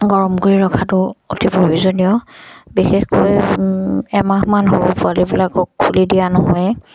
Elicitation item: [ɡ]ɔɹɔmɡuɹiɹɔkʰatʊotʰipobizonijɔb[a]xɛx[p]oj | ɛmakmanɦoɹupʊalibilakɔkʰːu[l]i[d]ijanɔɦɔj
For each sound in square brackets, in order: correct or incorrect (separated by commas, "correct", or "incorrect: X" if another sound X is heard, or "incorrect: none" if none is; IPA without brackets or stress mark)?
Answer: correct, incorrect: i, incorrect: k, correct, correct